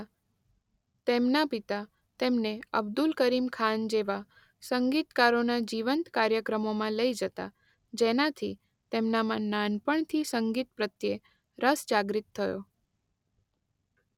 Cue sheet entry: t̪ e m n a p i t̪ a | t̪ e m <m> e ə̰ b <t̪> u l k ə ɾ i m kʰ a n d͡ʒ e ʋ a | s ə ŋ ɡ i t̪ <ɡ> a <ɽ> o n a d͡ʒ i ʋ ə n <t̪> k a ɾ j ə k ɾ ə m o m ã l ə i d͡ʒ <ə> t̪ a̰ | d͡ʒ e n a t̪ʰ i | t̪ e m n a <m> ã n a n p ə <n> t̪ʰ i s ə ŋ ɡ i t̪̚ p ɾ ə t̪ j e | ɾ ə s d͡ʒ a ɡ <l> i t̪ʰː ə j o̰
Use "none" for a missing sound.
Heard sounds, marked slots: n, d̪, k, ɾ, t̪, ə, m, ɳ, ɾ

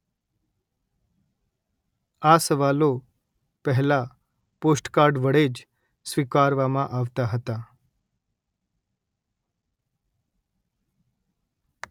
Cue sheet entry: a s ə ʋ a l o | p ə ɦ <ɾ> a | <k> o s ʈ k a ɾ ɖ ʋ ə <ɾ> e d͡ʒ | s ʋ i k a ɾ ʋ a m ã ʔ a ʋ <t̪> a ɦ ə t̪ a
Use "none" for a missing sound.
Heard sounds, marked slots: l, p, ɽ, t̪

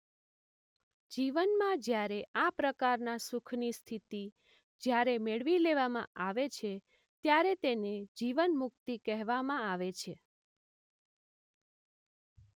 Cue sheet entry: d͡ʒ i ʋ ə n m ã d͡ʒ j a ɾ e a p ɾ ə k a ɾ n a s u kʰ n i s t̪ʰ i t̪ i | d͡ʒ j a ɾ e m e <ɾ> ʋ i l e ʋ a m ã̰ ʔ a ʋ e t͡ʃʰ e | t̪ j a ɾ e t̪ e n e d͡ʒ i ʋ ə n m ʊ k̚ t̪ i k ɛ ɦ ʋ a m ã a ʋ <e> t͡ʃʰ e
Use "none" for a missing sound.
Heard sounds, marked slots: ɭ, e

